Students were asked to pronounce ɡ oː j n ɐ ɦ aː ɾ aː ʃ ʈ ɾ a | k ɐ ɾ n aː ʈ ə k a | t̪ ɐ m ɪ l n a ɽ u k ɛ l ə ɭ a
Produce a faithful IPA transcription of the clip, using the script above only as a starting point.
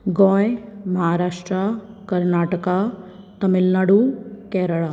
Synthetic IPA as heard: ɡ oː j m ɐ ɦ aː ɾ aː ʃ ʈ ɾ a | k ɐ ɾ n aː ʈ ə k a | t̪ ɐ m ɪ l n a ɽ u k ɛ ɾ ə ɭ a